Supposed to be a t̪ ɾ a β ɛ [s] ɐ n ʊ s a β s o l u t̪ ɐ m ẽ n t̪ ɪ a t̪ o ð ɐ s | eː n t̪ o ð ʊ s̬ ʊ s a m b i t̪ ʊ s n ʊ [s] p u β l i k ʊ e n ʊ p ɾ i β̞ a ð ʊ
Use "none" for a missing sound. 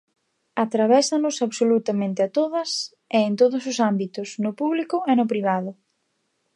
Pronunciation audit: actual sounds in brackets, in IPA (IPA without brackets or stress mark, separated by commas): s, none